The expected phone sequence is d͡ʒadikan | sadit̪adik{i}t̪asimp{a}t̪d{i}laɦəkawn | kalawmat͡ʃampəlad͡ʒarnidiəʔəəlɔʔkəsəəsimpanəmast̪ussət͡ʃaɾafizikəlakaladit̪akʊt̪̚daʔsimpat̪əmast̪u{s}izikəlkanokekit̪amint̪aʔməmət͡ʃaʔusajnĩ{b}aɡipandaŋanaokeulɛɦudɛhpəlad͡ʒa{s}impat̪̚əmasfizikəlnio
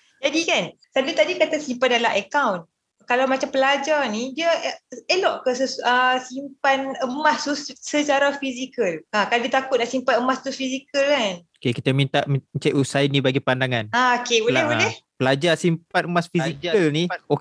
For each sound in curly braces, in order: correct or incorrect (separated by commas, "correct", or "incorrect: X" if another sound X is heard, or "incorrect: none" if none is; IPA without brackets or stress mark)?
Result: incorrect: a, correct, incorrect: a, incorrect: f, correct, correct